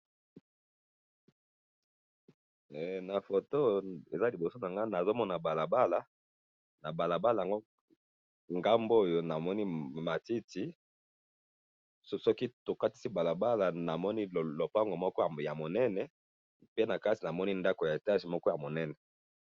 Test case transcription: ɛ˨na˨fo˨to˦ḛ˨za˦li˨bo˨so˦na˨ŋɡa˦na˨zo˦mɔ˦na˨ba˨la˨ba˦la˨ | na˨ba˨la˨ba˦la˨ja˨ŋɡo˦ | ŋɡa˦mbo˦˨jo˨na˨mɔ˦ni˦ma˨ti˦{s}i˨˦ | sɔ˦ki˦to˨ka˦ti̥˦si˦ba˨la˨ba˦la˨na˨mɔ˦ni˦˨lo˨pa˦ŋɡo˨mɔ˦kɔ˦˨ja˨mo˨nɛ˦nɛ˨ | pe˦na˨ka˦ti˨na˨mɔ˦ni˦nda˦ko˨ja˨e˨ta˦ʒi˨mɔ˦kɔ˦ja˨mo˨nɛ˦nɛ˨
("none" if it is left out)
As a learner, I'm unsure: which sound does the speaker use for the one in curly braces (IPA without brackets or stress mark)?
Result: t